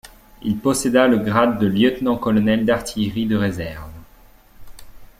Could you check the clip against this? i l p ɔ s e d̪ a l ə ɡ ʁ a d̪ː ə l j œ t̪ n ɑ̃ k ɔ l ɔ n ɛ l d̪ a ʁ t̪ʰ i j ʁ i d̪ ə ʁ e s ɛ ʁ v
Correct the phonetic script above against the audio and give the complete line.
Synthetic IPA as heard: i l p ɔ s e d̪ a l ə ɡ ʁ a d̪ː ə l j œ t̪ n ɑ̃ k ɔ l ɔ n ɛ l d̪ a ʁ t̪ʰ i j ʁ i d̪ ə ʁ e z ɛ ʁ v